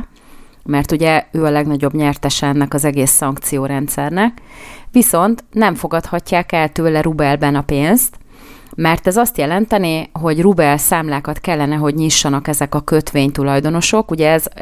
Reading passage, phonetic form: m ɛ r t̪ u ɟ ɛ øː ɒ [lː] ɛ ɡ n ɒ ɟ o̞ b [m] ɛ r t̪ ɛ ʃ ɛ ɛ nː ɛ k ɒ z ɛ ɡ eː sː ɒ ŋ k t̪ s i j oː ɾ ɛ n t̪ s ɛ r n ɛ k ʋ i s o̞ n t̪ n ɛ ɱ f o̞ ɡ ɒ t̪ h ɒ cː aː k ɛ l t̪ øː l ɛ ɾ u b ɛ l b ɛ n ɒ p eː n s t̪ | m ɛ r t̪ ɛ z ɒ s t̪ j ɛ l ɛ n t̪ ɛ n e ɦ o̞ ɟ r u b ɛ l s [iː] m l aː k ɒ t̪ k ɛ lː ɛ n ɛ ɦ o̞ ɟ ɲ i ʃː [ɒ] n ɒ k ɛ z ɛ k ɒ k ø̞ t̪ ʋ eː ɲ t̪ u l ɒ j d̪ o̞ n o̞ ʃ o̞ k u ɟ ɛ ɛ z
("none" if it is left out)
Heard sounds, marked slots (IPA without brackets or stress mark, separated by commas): l, ɲ, aː, ɒ